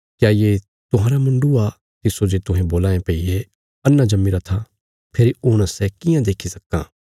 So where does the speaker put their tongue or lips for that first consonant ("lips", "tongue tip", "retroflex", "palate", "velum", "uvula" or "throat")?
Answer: velum